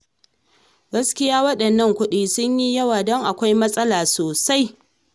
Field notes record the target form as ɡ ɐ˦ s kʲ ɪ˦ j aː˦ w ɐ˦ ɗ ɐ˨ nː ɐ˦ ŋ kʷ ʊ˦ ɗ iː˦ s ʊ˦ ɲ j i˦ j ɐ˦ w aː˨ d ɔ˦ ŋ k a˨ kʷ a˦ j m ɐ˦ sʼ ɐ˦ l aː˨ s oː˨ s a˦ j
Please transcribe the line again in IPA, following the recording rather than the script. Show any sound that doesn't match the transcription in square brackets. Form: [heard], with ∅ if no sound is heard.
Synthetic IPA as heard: ɡ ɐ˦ s kʲ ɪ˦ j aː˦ w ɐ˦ ɗ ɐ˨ nː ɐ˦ ŋ kʷ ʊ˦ ɗ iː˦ s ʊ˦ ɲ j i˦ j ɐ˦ w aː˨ d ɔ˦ ŋ [ʔ] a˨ kʷ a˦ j m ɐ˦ sʼ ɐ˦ l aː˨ s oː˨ s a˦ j